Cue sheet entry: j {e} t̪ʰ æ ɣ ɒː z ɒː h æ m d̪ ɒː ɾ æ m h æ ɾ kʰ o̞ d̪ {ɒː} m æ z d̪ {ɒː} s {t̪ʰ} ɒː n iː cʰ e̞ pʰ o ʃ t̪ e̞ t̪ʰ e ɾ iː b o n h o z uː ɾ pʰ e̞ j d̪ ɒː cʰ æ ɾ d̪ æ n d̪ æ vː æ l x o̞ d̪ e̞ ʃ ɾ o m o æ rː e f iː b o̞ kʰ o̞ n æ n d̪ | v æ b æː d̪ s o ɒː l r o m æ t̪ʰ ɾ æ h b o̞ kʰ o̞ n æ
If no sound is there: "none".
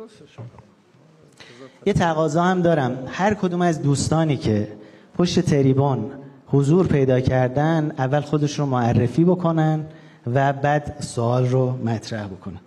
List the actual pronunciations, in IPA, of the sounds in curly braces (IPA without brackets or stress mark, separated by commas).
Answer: e, uː, uː, t̪